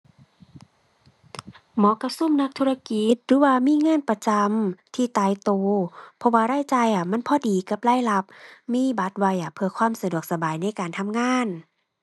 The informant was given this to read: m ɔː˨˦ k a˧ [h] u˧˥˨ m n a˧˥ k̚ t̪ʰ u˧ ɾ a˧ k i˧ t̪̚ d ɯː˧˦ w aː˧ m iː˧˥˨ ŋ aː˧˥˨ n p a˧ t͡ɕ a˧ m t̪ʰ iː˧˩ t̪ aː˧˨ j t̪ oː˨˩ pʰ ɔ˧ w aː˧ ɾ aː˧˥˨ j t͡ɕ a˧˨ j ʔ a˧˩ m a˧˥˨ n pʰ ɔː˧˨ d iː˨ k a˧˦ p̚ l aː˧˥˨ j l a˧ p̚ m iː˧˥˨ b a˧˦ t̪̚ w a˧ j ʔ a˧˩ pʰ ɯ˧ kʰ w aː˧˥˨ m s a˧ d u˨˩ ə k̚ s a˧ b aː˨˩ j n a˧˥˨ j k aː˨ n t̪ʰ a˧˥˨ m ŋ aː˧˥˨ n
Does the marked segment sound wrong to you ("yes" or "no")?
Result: yes